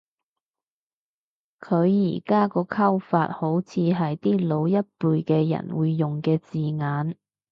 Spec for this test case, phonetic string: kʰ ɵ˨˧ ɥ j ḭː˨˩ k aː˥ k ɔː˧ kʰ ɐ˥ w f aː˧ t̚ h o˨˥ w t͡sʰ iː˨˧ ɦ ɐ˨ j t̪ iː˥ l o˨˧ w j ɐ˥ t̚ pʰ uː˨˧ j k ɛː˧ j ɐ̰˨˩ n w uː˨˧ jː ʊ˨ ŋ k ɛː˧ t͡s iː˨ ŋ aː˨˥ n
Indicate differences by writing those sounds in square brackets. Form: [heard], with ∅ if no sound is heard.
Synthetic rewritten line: kʰ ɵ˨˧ ɥ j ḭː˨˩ k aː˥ k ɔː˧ kʰ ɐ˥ w f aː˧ t̚ h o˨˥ w t͡sʰ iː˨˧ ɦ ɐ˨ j t̪ iː˥ l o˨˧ w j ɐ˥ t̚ [p] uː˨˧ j k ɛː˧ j ɐ̰˨˩ n w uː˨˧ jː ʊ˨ ŋ k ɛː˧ t͡s iː˨ ŋ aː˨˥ n